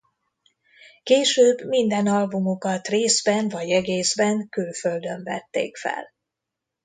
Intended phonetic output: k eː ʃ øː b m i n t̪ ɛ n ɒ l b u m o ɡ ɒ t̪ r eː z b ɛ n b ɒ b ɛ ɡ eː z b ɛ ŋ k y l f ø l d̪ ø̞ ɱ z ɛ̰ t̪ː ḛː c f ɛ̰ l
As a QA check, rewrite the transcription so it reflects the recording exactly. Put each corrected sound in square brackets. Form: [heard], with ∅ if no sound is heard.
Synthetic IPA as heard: k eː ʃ øː b m i n [d̪] ɛ n ɒ l b u m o [k] ɒ t̪ r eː z b ɛ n [v] ɒ [ɟ] ɛ ɡ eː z b ɛ ŋ k y l f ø l d̪ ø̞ ɱ [v] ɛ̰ t̪ː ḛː [k] f ɛ̰ l